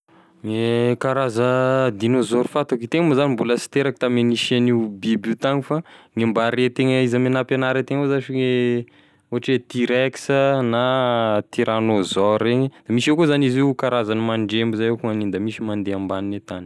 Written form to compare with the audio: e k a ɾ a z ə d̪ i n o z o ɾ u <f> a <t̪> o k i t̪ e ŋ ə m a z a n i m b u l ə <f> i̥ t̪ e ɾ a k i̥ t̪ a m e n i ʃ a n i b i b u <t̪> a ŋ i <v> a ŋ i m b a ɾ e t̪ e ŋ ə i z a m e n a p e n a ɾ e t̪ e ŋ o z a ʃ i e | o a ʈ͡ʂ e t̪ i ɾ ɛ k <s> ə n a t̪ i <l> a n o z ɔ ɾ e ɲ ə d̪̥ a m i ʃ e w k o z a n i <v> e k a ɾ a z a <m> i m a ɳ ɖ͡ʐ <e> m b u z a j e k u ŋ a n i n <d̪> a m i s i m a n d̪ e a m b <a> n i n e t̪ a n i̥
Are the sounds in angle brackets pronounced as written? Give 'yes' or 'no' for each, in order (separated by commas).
yes, yes, no, yes, no, yes, no, no, no, yes, yes, yes